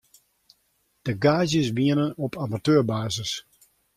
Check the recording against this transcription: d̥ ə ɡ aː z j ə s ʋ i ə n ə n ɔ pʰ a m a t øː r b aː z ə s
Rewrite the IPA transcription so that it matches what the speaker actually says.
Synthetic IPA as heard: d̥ ə ɡ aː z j ə s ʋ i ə n ə n ɔ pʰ a m a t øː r b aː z ə s

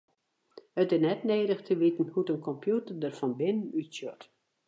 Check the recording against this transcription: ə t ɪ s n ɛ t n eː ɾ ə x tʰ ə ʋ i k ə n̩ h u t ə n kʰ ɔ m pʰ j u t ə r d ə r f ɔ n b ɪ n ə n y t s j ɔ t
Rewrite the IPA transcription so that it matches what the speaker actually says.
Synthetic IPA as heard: ə t ɪ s n ɛ t n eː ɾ ə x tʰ ə ʋ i t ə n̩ h u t ə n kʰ ɔ m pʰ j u t ə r d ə r f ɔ n b ɪ n ə n y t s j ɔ t

